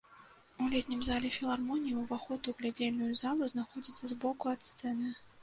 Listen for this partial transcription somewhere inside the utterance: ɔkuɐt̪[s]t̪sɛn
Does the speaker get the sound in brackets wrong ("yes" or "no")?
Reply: no